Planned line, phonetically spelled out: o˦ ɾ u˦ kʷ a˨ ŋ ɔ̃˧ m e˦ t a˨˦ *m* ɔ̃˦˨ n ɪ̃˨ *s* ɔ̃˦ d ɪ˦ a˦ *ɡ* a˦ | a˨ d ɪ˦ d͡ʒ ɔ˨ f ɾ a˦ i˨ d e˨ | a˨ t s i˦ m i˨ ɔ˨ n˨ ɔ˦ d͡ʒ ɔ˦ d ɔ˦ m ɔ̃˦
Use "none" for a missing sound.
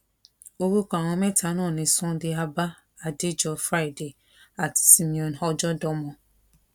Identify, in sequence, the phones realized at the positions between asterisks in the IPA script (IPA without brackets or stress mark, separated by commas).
n, s, b